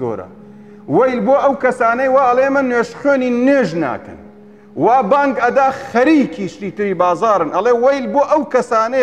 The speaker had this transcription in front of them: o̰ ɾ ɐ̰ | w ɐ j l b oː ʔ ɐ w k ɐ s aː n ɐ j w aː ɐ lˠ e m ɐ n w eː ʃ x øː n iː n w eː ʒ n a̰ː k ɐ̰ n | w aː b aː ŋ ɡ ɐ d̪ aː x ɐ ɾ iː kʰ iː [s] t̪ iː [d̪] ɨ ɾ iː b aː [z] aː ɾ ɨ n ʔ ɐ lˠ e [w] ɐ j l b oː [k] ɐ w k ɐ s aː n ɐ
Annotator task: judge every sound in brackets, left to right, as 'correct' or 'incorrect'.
incorrect, incorrect, correct, correct, incorrect

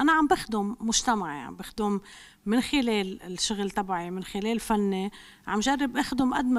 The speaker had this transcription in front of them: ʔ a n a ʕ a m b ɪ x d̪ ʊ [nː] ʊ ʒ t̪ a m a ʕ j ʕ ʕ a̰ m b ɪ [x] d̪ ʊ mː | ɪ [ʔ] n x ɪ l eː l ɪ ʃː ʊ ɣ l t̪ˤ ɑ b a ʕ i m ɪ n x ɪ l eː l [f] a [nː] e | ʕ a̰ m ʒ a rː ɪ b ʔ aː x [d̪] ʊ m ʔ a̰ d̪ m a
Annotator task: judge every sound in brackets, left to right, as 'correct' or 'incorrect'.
incorrect, correct, incorrect, correct, correct, correct

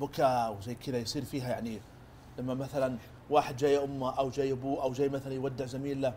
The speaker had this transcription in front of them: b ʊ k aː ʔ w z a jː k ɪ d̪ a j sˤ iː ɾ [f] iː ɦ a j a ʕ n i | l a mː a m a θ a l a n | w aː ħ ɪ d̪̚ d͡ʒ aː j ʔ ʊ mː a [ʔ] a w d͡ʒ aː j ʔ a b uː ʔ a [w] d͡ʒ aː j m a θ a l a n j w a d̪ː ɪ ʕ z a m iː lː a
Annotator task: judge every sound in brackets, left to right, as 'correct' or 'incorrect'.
correct, correct, correct

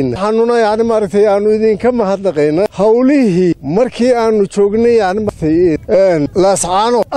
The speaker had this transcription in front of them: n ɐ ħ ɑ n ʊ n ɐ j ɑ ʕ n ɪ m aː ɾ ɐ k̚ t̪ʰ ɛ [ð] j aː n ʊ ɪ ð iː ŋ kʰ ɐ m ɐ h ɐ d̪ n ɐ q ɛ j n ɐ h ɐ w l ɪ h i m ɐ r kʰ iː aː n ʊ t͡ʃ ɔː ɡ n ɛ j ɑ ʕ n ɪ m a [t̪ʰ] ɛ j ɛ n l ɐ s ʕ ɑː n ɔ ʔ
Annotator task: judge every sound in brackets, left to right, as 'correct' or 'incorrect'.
incorrect, correct

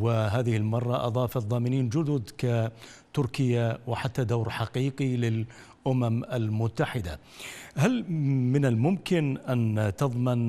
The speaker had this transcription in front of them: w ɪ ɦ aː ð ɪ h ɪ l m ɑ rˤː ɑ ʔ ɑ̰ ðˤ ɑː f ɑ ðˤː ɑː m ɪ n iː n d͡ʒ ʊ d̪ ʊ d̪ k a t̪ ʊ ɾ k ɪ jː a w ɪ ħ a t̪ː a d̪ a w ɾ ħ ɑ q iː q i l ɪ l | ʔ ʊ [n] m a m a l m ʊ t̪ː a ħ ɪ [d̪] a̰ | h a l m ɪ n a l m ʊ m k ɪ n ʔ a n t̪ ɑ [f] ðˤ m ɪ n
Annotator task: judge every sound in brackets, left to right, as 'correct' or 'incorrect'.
incorrect, correct, incorrect

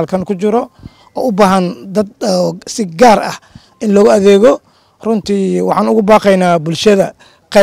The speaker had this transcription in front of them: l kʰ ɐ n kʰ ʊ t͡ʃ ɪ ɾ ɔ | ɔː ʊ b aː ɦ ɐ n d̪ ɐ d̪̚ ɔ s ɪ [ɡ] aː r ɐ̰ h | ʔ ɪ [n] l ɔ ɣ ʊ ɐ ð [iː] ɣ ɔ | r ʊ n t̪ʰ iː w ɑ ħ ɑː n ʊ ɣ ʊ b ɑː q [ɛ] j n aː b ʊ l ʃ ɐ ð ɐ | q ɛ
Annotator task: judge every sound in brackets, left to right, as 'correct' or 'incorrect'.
correct, correct, incorrect, correct

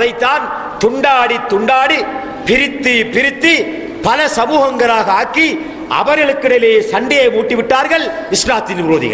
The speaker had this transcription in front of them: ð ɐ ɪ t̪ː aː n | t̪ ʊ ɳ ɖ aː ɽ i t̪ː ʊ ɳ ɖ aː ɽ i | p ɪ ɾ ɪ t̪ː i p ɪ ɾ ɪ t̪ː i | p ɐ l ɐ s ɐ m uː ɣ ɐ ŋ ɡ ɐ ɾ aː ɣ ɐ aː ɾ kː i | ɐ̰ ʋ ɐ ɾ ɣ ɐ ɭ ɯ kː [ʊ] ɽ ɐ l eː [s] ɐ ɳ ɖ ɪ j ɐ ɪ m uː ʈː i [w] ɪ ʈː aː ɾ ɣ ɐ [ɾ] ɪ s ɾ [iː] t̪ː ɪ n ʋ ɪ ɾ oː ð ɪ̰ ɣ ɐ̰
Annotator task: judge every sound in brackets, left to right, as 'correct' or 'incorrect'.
incorrect, correct, incorrect, incorrect, incorrect

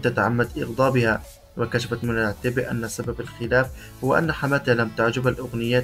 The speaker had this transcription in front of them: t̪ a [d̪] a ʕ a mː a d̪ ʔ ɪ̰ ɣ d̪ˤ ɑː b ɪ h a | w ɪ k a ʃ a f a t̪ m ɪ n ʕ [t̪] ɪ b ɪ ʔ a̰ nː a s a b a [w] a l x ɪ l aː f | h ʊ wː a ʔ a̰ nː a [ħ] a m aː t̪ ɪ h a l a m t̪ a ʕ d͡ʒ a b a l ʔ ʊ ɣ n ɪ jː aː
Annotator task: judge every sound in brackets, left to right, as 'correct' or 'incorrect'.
incorrect, correct, incorrect, correct

